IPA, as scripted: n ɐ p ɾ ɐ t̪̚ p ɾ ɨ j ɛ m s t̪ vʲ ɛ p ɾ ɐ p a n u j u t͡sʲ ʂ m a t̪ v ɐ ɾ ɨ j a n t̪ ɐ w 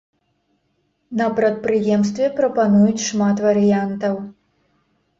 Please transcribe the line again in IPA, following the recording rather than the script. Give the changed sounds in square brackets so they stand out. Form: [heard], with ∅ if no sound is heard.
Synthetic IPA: n ɐ p ɾ ɐ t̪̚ p ɾ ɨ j ɛ m s t̪ vʲ ɛ p ɾ ɐ p a n u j u t͡sʲ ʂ m a t̪ v ɐ ɾ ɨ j a n t̪ ɐ w